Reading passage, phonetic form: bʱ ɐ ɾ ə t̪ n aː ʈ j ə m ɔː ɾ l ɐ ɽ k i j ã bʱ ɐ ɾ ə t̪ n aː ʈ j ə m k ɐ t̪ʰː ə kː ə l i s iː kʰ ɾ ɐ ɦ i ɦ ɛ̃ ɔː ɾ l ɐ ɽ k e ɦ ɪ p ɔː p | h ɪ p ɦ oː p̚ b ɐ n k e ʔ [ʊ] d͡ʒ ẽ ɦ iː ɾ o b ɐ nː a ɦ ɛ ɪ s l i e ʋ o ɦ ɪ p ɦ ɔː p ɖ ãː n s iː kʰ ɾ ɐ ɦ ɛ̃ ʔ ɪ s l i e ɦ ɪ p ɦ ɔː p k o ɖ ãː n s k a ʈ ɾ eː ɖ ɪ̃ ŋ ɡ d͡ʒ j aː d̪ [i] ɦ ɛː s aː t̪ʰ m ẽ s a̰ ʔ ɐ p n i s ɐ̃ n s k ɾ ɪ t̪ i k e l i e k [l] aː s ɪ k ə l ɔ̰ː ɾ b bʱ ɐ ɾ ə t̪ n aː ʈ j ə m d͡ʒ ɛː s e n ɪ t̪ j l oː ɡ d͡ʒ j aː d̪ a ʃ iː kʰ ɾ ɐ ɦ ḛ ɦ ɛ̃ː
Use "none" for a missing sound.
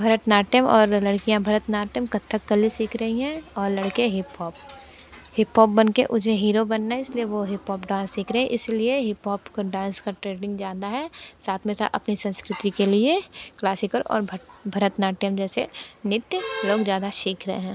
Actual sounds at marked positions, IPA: ʊ, a, l

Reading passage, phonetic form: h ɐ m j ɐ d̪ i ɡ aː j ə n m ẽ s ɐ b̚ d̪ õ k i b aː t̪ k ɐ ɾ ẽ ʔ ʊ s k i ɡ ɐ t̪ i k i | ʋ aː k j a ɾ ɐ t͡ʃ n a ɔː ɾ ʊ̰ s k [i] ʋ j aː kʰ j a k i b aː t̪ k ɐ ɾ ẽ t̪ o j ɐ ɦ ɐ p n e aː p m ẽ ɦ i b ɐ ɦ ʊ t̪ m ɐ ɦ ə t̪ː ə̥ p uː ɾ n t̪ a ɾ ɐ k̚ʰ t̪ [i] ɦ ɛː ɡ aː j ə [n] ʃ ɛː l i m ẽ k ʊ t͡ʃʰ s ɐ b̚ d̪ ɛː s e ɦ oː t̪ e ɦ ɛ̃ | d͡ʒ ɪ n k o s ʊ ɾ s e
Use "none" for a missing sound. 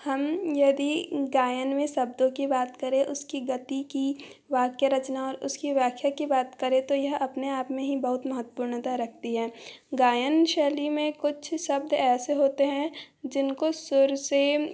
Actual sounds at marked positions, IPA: i, i, n

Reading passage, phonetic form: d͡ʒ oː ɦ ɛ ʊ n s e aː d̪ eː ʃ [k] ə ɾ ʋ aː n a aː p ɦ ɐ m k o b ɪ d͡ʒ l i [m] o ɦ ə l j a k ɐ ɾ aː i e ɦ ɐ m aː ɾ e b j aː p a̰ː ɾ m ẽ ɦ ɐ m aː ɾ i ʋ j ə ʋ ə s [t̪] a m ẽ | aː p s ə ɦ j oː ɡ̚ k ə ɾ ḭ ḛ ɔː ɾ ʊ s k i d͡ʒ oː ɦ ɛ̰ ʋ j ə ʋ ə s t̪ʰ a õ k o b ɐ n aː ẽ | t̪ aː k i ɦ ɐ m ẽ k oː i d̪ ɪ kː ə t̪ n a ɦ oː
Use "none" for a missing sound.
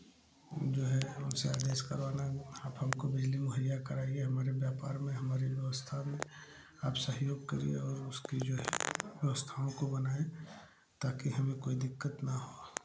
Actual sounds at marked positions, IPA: k, m, t̪ʰ

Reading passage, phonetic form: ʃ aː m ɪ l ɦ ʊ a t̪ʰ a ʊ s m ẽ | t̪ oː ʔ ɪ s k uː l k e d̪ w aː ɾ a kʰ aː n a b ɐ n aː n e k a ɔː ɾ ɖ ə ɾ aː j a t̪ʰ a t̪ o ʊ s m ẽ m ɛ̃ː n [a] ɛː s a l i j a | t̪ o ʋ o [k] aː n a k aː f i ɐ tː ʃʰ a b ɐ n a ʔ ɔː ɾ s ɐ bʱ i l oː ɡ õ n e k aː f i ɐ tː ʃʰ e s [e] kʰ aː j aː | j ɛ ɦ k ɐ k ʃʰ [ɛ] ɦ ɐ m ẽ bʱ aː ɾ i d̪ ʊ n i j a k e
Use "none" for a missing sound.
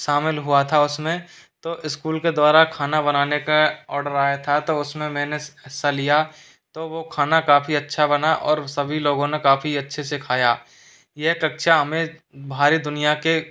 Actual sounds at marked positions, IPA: e, kʰ, e, a

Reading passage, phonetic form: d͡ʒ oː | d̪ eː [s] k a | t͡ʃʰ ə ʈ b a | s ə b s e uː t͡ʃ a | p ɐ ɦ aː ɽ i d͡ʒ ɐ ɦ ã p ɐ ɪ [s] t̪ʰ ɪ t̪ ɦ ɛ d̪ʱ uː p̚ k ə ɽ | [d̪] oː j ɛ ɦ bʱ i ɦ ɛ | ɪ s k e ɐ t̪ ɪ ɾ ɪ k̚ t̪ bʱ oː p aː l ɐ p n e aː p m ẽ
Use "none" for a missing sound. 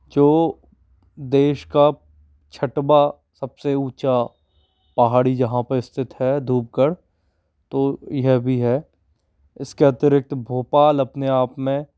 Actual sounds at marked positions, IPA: ʃ, s, t̪

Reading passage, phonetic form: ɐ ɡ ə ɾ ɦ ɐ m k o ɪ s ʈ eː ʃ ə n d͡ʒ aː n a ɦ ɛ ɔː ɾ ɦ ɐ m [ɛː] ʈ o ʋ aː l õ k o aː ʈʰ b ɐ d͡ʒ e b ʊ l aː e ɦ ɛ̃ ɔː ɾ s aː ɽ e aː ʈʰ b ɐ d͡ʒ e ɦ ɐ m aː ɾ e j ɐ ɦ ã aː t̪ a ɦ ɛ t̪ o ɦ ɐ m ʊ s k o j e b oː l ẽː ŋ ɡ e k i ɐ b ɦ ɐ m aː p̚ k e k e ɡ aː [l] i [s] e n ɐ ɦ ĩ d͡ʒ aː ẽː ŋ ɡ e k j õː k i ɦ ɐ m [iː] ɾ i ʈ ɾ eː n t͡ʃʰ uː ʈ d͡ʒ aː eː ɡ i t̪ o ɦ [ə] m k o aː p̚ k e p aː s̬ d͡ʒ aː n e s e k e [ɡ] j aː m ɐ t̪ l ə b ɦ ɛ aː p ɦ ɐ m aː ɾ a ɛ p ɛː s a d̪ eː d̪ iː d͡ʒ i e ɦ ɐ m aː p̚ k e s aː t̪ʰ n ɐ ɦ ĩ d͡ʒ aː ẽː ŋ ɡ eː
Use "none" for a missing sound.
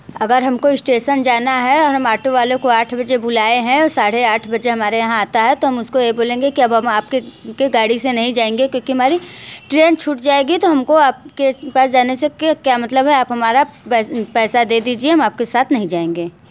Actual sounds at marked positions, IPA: aː, ɽ, s, aː, ɐ, k

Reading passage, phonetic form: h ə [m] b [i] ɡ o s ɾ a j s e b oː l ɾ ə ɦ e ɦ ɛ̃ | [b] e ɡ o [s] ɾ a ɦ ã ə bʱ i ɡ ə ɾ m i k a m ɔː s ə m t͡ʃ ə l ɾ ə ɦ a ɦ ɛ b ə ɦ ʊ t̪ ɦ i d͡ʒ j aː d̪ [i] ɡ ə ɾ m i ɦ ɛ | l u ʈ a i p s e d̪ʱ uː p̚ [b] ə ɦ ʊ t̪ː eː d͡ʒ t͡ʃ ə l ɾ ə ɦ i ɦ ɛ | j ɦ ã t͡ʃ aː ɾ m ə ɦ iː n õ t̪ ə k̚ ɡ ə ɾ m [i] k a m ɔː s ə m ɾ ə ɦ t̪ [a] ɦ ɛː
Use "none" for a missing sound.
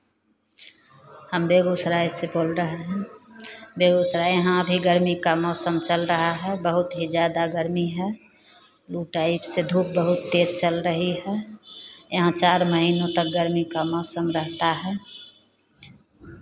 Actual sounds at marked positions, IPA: m, e, b, s, a, b, i, a

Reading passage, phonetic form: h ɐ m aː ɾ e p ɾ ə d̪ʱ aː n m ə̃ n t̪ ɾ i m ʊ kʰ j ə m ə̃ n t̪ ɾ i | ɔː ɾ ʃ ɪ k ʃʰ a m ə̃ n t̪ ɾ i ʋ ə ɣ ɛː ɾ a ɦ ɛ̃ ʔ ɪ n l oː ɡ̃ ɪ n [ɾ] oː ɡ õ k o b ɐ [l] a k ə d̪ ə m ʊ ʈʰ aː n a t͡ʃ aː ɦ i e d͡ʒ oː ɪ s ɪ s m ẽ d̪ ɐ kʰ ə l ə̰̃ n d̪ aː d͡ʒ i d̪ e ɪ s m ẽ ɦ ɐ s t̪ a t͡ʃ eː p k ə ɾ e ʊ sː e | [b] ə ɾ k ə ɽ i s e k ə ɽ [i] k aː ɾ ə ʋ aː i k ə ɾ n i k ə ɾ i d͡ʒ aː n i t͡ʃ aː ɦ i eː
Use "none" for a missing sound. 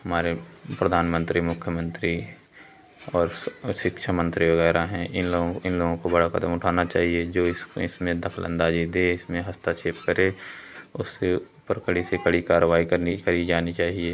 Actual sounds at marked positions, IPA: l, ɽ, p, i

